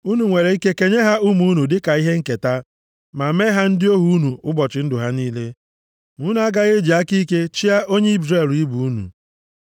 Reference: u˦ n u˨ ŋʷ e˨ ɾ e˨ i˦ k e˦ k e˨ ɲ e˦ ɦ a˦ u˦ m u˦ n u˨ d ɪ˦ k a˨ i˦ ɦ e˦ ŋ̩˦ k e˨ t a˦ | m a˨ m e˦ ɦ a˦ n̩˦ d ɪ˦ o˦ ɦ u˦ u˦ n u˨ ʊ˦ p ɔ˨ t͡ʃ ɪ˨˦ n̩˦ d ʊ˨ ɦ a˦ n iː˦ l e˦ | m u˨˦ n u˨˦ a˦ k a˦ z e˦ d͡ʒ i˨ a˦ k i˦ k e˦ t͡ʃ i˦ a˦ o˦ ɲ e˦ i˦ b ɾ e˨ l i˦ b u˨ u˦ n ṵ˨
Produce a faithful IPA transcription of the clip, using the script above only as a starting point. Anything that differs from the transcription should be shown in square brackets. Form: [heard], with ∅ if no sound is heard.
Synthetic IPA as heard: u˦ n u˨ ŋʷ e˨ ɾ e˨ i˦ k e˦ k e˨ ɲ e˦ ɦ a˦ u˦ m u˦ n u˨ d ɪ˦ k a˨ i˦ ɦ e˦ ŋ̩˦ k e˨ t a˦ | m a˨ m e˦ ɦ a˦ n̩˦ d ɪ˦ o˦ ɦ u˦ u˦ n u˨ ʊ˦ [b] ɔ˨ t͡ʃ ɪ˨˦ n̩˦ d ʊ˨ ɦ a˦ n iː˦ l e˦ | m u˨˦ n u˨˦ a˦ [ɡ] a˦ [ɣ] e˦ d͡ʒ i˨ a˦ k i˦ k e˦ t͡ʃ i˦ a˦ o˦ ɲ e˦ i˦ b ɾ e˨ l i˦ b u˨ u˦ n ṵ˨